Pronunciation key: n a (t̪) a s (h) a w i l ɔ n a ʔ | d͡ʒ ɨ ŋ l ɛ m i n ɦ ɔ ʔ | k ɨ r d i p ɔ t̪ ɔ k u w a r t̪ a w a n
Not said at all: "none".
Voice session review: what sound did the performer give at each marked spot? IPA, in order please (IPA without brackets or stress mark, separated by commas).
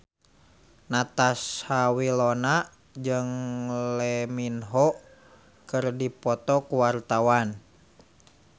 t̪, h